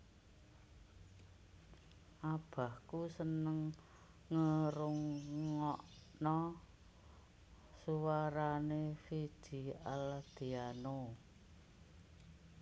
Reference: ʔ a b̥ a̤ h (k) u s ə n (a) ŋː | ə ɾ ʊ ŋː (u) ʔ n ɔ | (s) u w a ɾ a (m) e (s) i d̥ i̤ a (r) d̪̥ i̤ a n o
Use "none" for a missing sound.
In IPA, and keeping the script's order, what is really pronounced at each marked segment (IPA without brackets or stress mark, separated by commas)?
k, ə, ɔ, s, n, f, l